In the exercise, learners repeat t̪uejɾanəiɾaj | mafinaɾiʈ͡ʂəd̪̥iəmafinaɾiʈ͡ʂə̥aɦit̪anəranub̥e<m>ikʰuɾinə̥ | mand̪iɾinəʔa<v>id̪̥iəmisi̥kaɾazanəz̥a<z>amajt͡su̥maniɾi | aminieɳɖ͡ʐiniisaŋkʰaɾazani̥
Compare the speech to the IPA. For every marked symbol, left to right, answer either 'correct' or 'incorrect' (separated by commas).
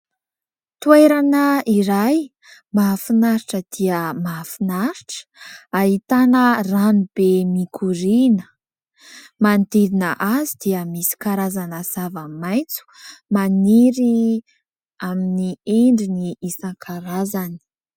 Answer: correct, incorrect, incorrect